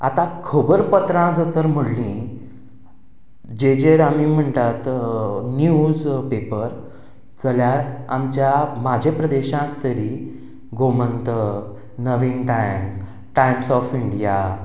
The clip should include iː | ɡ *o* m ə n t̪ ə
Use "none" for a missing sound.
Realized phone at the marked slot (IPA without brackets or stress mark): o